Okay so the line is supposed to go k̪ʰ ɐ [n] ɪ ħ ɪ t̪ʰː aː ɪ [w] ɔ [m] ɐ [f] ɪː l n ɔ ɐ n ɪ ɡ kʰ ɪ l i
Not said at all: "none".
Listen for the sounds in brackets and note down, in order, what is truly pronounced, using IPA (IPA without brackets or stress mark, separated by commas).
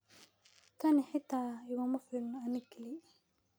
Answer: n, ɣ, m, f